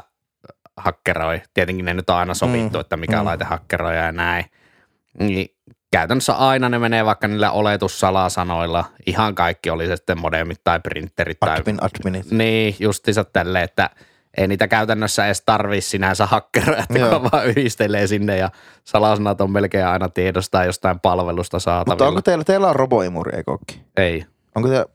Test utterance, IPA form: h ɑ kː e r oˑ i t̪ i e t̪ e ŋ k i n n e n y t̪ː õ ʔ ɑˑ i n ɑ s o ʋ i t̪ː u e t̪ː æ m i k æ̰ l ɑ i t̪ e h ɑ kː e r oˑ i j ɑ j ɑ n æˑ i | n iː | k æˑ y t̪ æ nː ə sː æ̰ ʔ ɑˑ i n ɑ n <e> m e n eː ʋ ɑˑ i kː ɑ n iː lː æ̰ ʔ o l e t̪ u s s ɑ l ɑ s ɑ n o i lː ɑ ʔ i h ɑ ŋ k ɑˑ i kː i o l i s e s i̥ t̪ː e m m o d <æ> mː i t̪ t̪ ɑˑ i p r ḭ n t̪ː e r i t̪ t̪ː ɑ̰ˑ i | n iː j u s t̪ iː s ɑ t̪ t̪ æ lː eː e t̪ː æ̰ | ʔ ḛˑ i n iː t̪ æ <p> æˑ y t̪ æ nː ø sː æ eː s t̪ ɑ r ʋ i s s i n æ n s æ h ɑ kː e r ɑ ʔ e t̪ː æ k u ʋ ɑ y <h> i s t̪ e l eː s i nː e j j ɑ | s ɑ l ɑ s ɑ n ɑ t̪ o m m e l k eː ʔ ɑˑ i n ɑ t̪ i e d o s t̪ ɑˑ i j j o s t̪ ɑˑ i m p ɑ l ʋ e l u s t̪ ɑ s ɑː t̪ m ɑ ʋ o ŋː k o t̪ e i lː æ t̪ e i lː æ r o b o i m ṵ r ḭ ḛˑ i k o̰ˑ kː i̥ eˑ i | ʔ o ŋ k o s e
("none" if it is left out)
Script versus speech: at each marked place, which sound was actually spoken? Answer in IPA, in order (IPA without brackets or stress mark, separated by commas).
e, e, k, h